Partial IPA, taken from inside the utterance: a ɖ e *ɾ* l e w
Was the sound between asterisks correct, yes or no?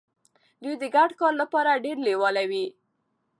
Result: yes